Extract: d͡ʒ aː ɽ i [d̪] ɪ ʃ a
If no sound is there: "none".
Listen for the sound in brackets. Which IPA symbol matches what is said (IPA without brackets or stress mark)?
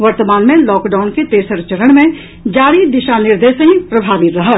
d̪